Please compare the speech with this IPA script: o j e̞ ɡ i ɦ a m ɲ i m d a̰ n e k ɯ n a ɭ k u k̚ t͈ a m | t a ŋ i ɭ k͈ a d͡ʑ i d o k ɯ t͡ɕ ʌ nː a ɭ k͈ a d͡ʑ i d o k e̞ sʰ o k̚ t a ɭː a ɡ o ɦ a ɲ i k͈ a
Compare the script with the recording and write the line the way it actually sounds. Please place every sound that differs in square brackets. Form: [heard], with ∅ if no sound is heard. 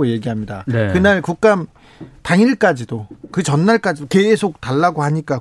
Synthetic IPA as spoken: o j e̞ ɡ i ɦ a m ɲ i [∅] d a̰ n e k ɯ n a ɭ k u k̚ [k͈] a m | t a ŋ i ɭ k͈ a d͡ʑ i d o k ɯ t͡ɕ ʌ nː a ɭ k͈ a d͡ʑ i d o k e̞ sʰ o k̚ t a ɭː a ɡ o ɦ a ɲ i k͈ a